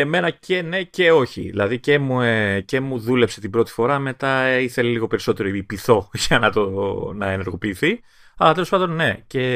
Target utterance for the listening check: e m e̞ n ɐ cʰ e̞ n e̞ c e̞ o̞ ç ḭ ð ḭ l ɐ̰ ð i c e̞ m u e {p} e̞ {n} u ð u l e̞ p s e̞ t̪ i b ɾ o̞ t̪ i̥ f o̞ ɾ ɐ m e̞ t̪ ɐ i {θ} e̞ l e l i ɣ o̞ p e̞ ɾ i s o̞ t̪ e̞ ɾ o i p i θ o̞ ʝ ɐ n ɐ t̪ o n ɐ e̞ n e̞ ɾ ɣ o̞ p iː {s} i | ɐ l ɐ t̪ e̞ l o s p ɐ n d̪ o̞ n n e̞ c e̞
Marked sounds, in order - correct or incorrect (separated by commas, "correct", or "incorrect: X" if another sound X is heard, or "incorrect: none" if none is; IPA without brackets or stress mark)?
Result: incorrect: c, incorrect: m, correct, incorrect: θ